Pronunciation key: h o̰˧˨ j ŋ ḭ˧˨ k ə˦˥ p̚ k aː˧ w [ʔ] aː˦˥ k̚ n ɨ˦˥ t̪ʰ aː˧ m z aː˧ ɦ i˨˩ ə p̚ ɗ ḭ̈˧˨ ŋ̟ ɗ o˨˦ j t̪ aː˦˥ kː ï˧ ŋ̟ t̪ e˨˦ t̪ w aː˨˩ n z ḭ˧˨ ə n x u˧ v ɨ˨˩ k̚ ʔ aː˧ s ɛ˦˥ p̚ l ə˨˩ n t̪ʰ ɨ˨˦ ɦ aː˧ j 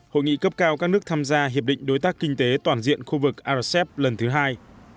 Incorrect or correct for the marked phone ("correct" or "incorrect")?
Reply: incorrect